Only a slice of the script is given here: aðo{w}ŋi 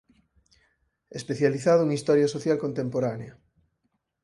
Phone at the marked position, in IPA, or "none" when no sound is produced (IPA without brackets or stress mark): u